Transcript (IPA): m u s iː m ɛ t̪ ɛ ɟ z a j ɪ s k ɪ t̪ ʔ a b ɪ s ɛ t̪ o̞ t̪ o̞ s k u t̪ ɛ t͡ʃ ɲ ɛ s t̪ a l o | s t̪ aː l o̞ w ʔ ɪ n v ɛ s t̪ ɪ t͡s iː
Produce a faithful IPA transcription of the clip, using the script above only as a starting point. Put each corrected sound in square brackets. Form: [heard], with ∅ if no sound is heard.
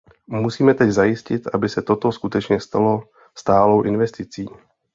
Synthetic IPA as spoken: m u s iː m ɛ t̪ ɛ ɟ z a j ɪ s [c] ɪ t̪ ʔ a b ɪ s ɛ t̪ o̞ t̪ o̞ s k u t̪ ɛ t͡ʃ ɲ ɛ s t̪ a l o | s t̪ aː l o̞ w ʔ ɪ n v ɛ s t̪ ɪ t͡s iː